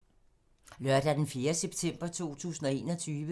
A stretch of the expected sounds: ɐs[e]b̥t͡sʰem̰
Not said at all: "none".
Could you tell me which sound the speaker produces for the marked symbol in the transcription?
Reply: e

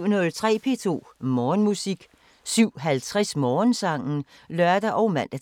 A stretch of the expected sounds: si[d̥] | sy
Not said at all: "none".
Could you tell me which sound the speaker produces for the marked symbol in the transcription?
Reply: ɡ̥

